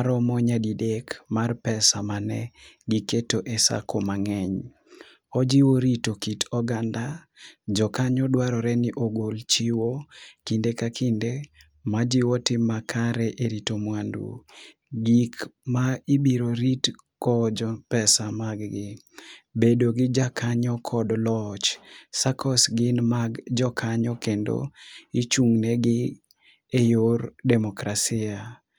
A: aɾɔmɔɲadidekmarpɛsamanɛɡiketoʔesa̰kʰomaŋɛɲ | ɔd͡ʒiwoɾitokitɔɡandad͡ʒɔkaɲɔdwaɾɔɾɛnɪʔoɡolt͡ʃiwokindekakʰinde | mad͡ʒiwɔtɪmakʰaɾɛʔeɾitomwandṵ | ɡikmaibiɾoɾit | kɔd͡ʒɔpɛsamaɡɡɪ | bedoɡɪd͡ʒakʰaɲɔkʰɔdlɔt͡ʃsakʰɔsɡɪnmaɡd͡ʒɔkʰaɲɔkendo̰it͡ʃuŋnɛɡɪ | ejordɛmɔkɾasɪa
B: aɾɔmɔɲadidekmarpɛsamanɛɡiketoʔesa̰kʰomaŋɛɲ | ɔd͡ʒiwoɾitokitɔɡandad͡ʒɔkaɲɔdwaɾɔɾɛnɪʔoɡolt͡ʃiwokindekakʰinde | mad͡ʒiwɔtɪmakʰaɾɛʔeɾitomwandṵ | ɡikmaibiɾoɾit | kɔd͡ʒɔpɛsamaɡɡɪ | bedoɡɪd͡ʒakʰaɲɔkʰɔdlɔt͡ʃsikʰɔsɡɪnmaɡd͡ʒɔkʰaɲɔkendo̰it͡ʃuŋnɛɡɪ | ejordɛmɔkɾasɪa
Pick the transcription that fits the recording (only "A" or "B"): A